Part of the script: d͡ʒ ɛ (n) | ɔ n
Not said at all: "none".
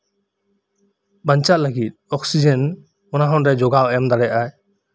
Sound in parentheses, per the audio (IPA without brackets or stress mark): n